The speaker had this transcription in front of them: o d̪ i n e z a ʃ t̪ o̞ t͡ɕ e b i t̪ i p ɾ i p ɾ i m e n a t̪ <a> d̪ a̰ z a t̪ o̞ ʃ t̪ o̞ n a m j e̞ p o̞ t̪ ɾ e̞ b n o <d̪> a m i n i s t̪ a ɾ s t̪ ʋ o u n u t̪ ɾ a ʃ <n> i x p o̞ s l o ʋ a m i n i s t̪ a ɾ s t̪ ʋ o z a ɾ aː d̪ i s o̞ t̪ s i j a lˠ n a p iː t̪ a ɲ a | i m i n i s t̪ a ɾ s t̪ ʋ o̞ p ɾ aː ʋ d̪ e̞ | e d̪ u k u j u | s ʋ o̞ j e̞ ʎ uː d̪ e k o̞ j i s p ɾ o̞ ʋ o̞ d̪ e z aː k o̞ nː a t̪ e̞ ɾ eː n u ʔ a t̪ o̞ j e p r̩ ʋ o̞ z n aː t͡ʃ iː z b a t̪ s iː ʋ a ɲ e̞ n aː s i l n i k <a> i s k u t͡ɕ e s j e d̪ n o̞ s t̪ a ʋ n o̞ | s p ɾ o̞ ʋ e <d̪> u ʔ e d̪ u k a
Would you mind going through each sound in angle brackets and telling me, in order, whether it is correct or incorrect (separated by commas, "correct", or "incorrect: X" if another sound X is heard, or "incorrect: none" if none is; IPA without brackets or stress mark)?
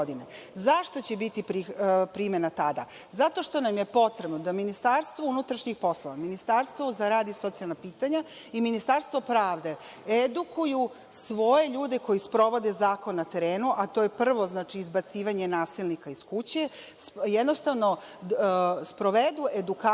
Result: correct, correct, incorrect: ɲ, correct, correct